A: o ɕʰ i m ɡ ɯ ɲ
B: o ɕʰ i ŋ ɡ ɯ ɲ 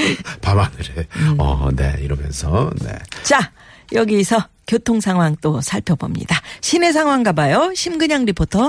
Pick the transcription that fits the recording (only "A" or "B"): A